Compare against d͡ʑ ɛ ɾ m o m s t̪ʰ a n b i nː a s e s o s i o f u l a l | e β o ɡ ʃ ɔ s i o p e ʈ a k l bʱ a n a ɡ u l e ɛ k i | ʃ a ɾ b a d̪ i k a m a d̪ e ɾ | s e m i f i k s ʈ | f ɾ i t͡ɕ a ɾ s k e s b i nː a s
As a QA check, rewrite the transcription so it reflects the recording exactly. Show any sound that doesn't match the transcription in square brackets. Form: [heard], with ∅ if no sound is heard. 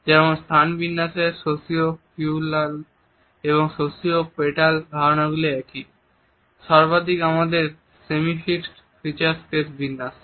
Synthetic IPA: d͡ʑ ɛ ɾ m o [n] s t̪ʰ a n b i nː a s e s o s i o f u l a l | e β o [ŋ] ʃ [o] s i o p e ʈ a [∅] l bʱ a n a ɡ u l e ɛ k i | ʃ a ɾ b a d̪ i k a m a d̪ e ɾ | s e m i f i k s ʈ | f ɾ i t͡ɕ a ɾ s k e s b i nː a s